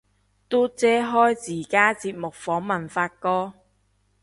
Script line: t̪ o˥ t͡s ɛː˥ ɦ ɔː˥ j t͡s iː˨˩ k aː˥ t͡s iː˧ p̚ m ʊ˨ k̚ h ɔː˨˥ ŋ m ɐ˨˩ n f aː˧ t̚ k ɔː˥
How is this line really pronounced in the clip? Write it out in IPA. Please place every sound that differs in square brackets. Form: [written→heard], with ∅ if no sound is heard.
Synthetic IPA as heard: t̪ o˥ t͡s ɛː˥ ɦ ɔː˥ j t͡s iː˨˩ k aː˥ t͡s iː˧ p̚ m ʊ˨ k̚ [h→f] ɔː˨˥ ŋ m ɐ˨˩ n f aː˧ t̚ k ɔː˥